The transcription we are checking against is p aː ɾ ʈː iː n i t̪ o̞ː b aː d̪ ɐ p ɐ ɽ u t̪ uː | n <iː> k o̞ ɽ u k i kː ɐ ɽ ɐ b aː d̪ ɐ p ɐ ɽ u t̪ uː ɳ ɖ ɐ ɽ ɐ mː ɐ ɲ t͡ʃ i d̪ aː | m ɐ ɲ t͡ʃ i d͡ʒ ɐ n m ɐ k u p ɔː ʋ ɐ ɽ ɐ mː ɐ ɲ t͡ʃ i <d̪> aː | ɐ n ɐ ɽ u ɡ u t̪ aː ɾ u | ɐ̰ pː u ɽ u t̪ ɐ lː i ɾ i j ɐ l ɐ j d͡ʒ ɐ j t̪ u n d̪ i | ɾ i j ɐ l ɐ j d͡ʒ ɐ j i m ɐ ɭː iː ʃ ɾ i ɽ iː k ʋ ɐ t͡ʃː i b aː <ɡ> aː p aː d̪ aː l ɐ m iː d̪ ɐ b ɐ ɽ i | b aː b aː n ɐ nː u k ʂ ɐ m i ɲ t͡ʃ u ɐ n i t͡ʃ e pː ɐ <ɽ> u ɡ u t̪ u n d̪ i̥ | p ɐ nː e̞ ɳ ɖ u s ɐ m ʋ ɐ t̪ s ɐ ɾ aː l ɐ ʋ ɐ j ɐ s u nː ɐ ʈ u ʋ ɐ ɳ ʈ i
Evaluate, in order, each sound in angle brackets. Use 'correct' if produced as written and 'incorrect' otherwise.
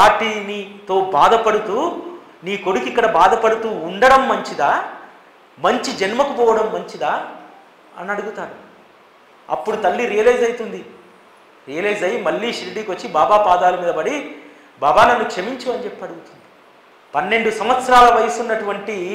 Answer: correct, correct, incorrect: b, correct

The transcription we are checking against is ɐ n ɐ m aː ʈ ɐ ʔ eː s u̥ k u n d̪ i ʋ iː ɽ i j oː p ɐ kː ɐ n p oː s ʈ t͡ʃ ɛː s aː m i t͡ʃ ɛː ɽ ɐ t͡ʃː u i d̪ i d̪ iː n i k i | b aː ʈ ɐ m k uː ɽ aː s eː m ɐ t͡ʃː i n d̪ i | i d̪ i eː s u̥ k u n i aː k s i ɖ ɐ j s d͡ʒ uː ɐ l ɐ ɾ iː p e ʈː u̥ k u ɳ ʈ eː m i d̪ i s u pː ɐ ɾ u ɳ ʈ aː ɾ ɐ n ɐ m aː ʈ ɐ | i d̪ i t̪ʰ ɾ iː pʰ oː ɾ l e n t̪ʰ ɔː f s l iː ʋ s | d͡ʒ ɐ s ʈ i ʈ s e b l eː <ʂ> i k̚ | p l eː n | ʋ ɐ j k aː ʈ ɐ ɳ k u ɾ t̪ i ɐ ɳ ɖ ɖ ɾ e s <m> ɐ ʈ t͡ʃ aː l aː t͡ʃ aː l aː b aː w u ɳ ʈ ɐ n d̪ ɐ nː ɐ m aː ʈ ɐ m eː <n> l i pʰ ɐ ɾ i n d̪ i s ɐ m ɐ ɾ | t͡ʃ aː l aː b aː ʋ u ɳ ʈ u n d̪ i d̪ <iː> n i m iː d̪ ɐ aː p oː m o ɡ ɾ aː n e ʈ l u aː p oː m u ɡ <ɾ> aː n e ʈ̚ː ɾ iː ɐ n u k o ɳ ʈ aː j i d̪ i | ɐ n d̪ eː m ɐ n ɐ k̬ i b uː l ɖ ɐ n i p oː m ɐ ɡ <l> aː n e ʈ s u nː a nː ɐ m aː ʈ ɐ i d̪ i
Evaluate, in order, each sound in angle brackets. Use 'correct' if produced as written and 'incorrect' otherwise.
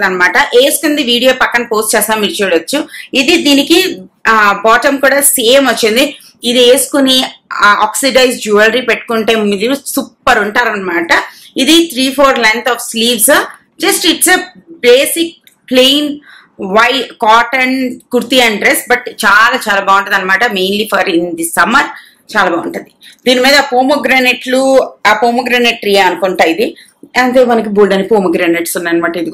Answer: incorrect: s, incorrect: b, correct, correct, correct, incorrect: ɾ

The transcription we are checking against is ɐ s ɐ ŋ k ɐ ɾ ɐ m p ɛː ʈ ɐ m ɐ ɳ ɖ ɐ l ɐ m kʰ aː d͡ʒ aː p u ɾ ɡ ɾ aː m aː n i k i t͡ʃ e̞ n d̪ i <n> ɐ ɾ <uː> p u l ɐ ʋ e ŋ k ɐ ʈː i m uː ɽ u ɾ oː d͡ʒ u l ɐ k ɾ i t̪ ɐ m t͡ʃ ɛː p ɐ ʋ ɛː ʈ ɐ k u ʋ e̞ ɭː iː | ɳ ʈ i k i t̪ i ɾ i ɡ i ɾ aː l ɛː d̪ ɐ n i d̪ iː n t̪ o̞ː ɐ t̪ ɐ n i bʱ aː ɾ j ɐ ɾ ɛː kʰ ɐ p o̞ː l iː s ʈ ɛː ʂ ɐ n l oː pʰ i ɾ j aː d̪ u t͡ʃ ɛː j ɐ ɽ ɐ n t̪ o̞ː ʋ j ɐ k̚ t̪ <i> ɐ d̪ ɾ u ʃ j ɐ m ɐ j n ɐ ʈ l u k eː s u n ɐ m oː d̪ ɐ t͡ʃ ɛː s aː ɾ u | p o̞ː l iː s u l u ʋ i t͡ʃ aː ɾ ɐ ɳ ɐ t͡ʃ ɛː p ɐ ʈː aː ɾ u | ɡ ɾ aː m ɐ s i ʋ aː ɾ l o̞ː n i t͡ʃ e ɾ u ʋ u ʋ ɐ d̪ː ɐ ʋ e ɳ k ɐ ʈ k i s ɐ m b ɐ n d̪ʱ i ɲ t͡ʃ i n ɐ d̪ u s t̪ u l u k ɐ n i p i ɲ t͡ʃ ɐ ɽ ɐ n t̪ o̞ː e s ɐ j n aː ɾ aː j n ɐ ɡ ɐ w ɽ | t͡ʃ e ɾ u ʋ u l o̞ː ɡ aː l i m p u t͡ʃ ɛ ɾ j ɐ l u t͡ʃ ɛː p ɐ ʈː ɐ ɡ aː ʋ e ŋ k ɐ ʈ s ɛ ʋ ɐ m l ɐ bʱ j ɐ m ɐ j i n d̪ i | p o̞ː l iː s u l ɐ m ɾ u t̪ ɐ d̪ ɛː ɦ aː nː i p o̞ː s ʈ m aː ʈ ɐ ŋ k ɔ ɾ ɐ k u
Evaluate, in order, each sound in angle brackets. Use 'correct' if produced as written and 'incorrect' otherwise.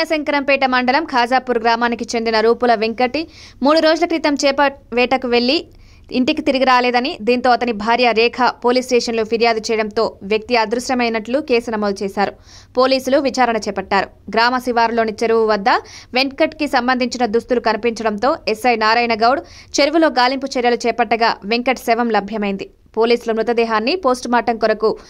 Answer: correct, correct, correct

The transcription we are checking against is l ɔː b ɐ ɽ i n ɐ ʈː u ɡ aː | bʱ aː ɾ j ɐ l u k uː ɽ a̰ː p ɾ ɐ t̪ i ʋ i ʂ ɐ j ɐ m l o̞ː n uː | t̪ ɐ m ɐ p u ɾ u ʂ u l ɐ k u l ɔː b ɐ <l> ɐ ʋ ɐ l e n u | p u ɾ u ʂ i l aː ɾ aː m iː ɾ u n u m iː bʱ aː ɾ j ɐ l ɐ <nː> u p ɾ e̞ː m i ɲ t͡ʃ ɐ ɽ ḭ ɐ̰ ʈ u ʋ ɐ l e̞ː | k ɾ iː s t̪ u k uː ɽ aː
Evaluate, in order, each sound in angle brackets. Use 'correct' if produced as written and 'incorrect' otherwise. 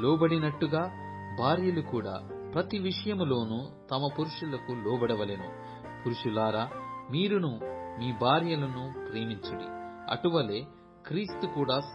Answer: incorrect: ɽ, incorrect: n

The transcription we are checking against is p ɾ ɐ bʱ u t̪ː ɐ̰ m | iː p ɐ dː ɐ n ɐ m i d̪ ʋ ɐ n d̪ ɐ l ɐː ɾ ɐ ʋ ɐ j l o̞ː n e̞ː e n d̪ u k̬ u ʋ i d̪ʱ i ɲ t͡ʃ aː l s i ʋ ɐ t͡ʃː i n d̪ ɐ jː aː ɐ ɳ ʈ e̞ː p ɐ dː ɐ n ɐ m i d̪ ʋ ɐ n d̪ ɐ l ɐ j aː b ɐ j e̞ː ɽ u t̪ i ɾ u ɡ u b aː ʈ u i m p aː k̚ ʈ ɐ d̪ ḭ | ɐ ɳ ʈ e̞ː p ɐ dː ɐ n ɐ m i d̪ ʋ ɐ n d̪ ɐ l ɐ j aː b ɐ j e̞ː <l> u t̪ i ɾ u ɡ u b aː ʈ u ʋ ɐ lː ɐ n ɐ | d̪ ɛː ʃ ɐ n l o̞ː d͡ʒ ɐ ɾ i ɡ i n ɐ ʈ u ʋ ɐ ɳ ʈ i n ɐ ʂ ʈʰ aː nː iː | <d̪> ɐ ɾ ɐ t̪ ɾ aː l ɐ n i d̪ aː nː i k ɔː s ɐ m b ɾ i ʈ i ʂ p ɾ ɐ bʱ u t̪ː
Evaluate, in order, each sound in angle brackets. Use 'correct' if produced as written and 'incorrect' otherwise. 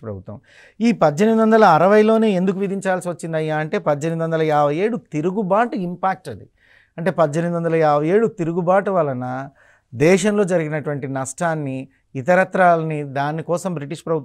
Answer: incorrect: ɽ, incorrect: t̪

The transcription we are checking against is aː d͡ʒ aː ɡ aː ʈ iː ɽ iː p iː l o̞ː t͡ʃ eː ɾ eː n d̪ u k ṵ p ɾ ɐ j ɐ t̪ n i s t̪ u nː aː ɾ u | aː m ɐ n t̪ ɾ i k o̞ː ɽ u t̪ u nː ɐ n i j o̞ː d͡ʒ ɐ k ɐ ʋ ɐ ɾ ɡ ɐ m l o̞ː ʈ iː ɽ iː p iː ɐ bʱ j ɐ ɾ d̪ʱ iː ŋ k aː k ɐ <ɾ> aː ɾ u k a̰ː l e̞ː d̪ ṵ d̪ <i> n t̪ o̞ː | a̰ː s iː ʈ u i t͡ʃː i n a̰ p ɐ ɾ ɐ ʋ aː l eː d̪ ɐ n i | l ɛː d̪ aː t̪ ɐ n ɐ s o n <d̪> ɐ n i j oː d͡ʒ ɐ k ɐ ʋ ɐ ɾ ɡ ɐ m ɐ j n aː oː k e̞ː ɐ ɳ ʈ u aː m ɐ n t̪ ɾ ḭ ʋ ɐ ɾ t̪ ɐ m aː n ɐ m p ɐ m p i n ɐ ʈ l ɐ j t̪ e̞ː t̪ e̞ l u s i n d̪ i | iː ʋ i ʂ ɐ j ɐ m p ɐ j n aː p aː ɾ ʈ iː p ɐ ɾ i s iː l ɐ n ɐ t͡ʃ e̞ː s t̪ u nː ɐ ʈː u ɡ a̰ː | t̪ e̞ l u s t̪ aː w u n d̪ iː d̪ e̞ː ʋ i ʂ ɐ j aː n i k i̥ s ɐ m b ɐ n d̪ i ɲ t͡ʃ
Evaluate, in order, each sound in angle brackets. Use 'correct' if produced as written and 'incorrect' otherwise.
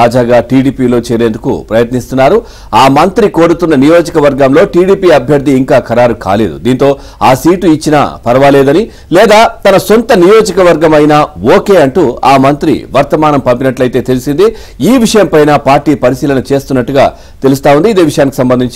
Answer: correct, incorrect: iː, incorrect: t̪

